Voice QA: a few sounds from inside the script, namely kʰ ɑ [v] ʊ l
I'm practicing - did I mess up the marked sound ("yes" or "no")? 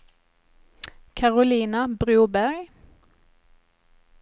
yes